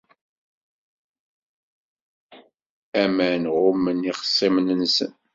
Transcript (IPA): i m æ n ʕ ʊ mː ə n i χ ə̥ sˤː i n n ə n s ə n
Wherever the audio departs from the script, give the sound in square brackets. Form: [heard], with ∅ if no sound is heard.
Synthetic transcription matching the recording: [æ] m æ n [ʁ] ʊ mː ə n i χ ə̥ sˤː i [m] n ə n s ə n